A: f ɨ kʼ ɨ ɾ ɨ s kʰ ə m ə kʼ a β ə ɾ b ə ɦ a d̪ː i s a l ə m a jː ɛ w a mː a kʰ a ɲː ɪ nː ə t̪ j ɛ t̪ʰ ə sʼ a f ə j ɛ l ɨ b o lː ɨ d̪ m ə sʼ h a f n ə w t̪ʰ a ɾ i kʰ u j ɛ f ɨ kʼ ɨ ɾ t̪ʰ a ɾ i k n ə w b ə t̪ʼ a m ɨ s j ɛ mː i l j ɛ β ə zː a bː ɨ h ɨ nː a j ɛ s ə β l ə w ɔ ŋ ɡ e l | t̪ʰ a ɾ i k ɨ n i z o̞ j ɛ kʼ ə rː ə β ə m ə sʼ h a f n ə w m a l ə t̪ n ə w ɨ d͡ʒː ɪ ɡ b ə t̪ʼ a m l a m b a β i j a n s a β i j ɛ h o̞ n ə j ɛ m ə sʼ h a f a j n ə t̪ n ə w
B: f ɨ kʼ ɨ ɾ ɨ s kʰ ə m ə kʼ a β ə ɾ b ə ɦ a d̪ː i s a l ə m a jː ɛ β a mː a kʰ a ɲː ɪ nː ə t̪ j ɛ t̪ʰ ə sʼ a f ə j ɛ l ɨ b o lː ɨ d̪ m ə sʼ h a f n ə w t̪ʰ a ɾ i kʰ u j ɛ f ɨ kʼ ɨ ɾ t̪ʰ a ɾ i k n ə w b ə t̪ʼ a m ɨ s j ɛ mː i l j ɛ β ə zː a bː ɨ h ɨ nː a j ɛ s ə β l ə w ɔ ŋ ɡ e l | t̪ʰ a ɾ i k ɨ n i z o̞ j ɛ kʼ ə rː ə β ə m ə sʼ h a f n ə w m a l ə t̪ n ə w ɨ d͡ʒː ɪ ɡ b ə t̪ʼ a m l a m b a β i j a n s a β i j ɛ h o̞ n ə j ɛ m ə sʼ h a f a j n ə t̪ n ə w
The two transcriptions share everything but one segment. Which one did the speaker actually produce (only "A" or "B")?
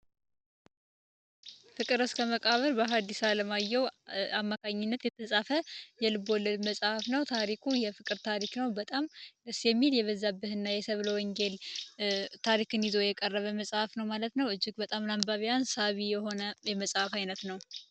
A